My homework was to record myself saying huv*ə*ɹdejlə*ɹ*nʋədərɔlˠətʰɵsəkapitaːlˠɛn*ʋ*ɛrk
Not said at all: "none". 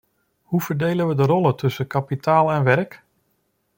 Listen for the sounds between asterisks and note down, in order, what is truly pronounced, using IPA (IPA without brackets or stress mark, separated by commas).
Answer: ə, none, ʋ